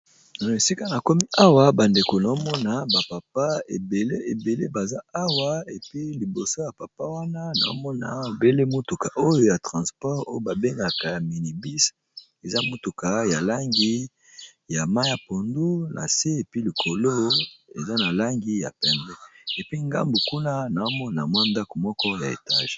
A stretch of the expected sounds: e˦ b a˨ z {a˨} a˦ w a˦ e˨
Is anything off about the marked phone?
yes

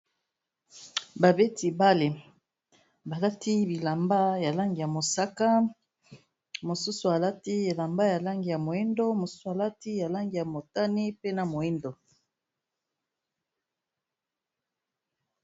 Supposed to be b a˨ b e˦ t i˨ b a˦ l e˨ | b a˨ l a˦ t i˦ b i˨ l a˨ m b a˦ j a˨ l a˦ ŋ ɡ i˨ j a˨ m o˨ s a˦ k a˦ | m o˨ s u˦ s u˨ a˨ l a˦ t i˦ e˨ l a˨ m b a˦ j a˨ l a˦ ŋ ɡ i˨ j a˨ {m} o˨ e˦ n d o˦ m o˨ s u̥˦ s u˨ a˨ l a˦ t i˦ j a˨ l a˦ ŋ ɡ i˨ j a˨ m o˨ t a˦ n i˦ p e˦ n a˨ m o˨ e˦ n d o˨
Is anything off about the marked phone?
no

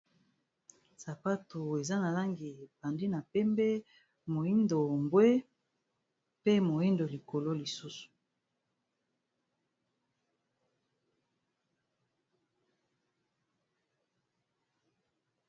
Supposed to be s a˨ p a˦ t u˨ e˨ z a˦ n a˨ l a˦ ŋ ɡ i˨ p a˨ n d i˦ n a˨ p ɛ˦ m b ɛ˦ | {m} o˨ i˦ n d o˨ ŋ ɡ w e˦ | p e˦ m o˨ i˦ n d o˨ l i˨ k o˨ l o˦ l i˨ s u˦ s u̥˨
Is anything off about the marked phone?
no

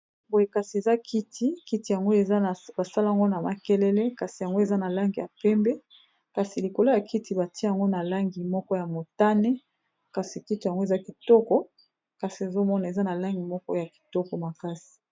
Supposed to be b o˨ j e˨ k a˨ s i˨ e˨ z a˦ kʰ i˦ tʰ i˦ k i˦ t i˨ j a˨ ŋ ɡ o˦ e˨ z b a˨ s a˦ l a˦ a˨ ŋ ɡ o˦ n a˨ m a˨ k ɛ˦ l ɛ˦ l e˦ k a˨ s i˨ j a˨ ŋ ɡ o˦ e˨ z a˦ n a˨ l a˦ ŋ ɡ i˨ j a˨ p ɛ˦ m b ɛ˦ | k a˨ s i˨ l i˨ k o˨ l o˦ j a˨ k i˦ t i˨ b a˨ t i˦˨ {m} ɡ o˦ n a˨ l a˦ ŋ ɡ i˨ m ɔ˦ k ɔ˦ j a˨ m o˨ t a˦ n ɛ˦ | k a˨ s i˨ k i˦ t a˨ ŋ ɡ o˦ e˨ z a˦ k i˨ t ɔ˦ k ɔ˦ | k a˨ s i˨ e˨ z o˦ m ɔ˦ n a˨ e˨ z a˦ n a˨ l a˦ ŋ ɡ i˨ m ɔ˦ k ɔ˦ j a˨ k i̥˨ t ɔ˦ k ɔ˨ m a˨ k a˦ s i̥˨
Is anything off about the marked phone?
yes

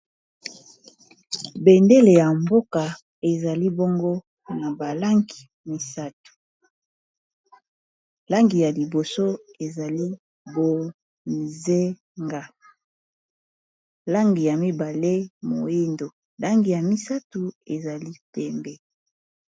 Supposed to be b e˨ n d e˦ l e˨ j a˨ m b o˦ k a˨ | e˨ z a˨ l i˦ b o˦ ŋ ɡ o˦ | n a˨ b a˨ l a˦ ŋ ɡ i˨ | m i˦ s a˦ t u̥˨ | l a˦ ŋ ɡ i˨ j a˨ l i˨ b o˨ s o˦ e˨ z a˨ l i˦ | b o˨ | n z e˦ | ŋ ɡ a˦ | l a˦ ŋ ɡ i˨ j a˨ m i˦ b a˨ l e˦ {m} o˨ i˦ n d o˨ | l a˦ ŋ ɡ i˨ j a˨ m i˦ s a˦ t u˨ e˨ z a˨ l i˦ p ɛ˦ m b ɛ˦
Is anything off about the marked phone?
no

